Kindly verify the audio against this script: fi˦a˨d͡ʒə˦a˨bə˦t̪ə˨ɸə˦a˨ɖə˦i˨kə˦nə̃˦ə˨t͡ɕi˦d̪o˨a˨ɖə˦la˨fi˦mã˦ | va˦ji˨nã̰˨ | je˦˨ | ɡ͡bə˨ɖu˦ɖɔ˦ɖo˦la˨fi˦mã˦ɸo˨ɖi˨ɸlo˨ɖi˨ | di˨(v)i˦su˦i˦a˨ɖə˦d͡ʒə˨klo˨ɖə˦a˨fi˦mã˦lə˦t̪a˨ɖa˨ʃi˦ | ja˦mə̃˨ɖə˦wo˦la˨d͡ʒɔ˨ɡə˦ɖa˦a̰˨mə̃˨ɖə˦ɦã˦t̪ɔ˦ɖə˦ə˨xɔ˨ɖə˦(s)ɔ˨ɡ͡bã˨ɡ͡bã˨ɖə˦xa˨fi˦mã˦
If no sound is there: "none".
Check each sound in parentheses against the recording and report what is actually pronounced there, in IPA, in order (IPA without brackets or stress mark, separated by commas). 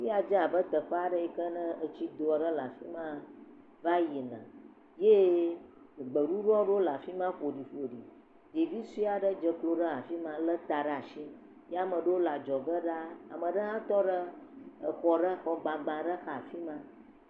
v, x